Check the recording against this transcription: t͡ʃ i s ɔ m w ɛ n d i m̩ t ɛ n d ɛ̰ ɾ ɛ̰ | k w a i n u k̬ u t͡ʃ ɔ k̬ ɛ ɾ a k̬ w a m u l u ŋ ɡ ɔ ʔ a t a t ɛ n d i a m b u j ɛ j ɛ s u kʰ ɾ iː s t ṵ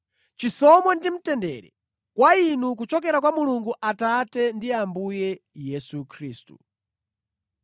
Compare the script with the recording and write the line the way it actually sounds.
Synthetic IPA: t͡ʃ i s ɔ m w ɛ n d i m̩ t ɛ n d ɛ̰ ɾ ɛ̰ | k w a i n u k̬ u t͡ʃ ɔ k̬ ɛ ɾ a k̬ w a m u l u ŋ ɡ u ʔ a t a t ɛ n d i a m b u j ɛ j ɛ s u kʰ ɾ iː s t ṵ